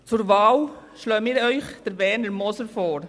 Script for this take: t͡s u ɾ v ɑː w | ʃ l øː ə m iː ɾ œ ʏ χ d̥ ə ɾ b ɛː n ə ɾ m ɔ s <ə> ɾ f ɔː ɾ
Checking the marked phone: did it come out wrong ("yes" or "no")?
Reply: no